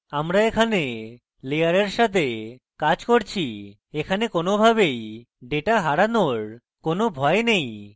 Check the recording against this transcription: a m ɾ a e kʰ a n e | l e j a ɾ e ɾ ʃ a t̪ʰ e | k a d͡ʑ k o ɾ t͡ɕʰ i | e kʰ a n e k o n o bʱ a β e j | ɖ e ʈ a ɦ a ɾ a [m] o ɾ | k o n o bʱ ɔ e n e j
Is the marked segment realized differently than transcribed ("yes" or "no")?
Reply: yes